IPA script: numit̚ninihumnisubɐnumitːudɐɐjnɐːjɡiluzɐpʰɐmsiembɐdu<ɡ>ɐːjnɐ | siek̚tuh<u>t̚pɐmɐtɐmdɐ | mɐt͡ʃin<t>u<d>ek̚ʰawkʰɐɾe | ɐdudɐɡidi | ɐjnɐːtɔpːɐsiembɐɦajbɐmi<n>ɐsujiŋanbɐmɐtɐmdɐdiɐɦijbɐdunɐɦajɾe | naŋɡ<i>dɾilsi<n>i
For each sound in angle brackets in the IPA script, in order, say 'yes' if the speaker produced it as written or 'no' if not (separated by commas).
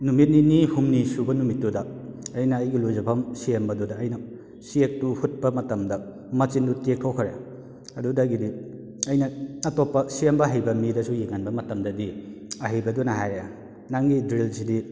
no, yes, no, no, no, yes, no